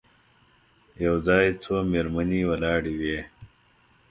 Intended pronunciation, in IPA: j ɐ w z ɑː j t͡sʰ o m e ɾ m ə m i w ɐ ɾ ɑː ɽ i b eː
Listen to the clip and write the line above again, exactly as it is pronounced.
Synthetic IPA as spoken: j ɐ w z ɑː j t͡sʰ o m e ɾ m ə n i w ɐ l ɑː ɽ i w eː

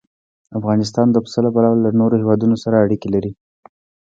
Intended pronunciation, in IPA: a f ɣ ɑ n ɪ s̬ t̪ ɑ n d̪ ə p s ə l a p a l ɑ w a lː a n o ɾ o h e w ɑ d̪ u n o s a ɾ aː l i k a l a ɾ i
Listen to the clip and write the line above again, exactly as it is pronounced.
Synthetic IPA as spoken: a f ɣ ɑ n ɪ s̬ t̪ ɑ n d̪ ə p s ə l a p a l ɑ w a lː a n o ɾ o h e w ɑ d̪ u n o s a ɾ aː ɽ i k e l a ɾ i

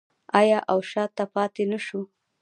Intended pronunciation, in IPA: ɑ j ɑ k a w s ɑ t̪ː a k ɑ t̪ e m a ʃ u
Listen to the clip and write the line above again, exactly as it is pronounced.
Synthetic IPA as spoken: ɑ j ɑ ʔ a w ʃ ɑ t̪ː a p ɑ t̪ e n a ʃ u

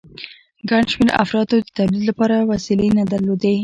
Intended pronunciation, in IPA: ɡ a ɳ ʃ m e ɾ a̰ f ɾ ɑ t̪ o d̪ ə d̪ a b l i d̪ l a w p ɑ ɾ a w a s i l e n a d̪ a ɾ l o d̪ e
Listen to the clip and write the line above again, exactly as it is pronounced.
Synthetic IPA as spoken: ɡ a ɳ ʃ m e ɾ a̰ f ɾ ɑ t̪ o d̪ ə t̪ a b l i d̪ l a p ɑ ɾ a w a s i l e n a d̪ a ɾ l o d̪ e

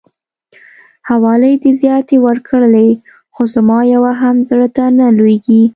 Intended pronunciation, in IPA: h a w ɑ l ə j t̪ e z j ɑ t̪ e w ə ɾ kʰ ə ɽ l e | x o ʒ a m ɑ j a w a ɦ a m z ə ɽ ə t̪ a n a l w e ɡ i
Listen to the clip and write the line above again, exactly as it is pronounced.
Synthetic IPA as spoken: h a w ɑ l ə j d̪ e z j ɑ t̪ e w ə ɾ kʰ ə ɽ l e | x o z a m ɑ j a w a ɦ a m z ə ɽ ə t̪ a n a l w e ɡ i

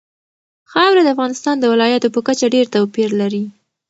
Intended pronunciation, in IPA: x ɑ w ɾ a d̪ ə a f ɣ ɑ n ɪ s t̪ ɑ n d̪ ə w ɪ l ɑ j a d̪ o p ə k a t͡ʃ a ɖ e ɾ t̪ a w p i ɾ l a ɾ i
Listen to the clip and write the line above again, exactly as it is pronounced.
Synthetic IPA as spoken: x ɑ w ɾ a d̪ ə a f ɣ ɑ n ɪ s t̪ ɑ n d̪ ə w ɪ l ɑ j a t̪ o p ə k a t͡ʃ a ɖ e ɾ t̪ a w p i ɾ l a ɾ i

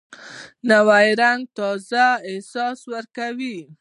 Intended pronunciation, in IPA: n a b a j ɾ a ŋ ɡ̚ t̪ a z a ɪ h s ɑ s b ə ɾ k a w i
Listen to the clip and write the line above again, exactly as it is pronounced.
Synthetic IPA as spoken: n a w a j ɾ a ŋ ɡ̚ t̪ ɑ z a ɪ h s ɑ s w ə ɾ k a w i

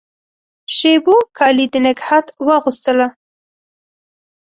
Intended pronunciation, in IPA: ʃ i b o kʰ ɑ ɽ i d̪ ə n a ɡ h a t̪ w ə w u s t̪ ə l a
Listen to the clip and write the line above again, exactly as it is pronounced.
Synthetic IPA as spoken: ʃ e b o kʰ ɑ l i d̪ ə n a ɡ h a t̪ w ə ɣ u s t̪ ə l a

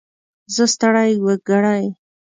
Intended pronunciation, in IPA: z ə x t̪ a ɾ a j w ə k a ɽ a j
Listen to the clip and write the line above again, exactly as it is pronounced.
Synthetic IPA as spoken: z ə s t̪ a ɽ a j w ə ɡ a ɽ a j

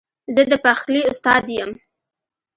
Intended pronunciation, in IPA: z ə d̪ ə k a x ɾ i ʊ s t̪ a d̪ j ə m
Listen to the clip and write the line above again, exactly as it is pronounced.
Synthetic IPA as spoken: z ə d̪ ə p a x l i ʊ s t̪ ɑ d̪ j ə m

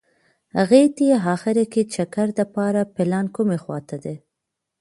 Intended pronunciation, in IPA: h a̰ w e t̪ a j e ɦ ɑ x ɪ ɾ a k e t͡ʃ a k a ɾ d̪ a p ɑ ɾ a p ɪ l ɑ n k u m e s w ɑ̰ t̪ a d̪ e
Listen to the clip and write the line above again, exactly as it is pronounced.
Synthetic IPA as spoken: h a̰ ɣ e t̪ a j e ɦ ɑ x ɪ ɾ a k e t͡ʃ a k a ɾ d̪ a p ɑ ɾ a p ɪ l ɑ n k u m e x w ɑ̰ t̪ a d̪ e

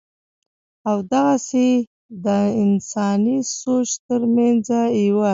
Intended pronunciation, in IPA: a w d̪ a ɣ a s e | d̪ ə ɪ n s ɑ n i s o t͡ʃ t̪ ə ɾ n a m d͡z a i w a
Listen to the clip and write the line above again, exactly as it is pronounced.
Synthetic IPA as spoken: a w d̪ a ɣ a s e | d̪ ə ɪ n s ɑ n i s o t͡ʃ t̪ ə ɾ m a n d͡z a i w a

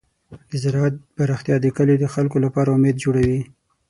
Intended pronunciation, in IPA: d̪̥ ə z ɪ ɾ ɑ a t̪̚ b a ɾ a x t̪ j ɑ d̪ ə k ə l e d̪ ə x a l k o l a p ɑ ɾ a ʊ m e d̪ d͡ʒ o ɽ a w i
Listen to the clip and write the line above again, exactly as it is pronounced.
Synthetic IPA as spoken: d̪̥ ə z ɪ ɾ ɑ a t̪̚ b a ɾ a x t̪ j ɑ d̪ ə k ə l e d̪ ə x a l k o l a p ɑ ɾ a ʊ m e d̪ d͡ʒ o ɽ a w i

